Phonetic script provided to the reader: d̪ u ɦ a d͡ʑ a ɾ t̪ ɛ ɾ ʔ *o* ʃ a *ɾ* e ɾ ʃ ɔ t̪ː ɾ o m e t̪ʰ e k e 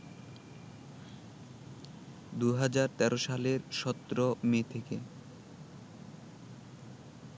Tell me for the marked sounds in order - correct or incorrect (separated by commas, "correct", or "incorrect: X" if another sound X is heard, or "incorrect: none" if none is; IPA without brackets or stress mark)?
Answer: correct, incorrect: l